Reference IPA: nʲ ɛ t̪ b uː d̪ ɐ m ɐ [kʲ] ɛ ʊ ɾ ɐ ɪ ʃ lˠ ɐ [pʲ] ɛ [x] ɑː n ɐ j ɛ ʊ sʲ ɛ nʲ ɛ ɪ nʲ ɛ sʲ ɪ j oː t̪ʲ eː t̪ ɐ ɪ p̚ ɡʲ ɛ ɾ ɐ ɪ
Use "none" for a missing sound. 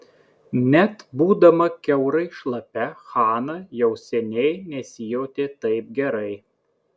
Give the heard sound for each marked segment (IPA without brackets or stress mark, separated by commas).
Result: kʲ, pʲ, x